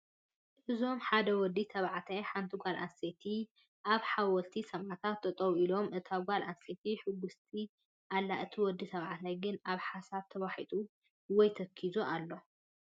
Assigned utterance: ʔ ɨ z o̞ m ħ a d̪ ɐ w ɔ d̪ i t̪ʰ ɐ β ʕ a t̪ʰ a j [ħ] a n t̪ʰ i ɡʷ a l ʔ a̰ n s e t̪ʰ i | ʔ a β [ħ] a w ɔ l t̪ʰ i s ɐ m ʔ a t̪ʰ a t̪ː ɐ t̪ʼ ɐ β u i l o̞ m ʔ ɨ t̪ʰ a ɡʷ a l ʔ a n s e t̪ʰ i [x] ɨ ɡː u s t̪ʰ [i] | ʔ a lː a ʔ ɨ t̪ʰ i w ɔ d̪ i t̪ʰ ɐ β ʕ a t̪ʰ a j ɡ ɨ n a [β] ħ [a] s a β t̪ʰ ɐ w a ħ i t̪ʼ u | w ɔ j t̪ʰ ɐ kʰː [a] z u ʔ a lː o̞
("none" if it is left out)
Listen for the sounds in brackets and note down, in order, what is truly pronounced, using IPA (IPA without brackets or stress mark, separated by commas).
ħ, ħ, ħ, i, β, a, i